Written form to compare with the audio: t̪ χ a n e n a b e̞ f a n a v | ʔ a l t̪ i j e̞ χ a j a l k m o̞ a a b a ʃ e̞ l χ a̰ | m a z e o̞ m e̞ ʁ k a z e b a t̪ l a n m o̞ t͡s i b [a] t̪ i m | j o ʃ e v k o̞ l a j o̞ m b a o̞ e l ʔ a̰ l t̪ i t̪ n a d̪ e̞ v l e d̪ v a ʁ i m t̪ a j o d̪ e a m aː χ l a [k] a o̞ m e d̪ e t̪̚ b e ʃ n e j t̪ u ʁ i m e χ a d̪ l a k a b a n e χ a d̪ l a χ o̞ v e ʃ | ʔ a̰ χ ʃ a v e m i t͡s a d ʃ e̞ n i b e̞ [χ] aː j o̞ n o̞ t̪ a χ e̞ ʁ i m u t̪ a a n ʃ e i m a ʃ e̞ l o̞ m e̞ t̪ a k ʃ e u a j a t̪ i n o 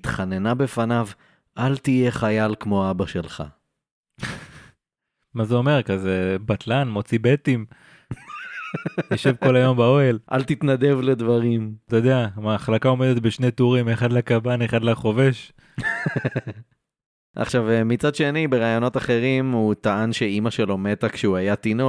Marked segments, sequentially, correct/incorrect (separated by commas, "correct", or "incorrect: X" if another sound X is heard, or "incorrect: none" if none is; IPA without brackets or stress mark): incorrect: e, correct, incorrect: ʁ